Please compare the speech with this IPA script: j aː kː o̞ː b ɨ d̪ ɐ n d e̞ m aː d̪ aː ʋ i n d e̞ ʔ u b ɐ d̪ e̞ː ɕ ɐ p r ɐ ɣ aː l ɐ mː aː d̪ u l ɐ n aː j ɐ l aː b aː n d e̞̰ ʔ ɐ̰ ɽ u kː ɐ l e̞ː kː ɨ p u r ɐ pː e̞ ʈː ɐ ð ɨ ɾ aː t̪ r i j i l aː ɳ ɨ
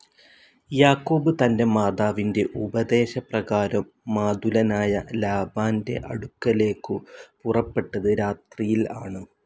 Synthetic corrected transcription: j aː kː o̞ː b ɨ t̪ ɐ n d e̞ m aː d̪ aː ʋ i n d e̞ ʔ u b ɐ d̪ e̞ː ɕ ɐ p r ɐ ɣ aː ɾ ɐ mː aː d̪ u l ɐ n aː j ɐ l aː b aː n d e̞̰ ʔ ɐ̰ ɽ u kː ɐ l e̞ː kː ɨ p u r ɐ pː e̞ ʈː ɐ ð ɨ ɾ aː t̪ r i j i l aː ɳ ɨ